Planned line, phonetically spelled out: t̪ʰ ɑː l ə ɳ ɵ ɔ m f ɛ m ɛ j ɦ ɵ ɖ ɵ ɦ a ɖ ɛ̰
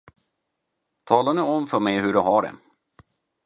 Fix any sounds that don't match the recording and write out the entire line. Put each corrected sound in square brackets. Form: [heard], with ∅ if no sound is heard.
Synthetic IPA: t̪ʰ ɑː l [a] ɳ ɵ ɔ m f [œ] m ɛ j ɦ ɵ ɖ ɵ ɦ a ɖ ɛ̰